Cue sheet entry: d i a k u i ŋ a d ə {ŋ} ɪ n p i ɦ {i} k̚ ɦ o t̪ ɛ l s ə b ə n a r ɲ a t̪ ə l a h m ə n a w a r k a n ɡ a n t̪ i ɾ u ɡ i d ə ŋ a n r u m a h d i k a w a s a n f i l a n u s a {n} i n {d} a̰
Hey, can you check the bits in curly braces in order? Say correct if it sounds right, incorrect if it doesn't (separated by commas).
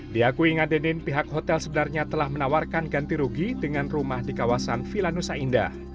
incorrect, incorrect, incorrect, correct